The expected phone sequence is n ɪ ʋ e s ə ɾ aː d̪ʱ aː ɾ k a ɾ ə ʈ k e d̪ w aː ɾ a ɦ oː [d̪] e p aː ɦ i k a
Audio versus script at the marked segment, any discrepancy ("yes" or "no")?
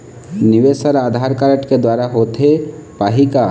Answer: yes